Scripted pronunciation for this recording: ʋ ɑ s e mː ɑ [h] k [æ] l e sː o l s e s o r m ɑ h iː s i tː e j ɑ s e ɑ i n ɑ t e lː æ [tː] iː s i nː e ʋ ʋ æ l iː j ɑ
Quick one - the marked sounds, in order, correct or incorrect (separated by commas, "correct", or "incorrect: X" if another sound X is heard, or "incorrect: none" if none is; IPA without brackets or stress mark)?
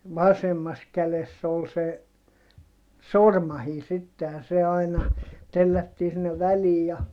incorrect: s, correct, correct